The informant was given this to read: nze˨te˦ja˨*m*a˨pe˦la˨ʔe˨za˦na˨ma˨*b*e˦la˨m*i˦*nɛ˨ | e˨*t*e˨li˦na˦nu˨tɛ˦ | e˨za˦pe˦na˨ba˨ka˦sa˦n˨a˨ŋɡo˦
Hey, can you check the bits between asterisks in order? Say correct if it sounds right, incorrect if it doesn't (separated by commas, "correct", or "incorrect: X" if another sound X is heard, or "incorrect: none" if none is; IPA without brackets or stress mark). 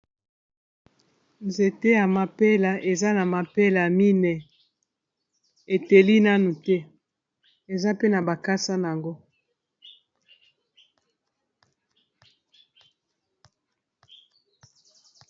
correct, incorrect: p, correct, correct